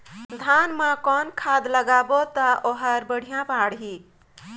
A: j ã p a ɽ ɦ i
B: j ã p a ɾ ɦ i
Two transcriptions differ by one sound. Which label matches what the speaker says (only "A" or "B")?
A